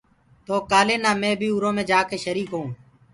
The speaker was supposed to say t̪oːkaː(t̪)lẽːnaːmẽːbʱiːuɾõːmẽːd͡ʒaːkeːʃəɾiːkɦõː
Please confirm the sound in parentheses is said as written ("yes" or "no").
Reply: no